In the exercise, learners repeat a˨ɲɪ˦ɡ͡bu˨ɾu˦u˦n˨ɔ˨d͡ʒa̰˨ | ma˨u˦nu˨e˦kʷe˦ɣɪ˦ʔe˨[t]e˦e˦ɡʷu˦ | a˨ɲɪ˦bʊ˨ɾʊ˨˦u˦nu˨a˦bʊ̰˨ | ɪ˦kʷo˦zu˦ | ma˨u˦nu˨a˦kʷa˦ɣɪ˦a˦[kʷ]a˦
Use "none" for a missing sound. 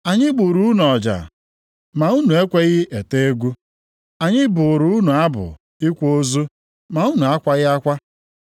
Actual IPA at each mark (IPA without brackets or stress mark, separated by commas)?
t, kʷ